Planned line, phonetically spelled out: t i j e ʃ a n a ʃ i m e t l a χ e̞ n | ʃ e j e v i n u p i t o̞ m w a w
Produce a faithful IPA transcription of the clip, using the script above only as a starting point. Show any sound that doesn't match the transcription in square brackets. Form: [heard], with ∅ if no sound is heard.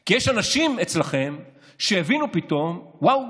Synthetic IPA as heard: [k] i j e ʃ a n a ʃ i m e [t͡s] l a χ e̞ [m] | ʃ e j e v i n u p i t o̞ m w a w